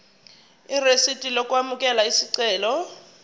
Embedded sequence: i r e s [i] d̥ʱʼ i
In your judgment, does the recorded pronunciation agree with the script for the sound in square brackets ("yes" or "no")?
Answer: yes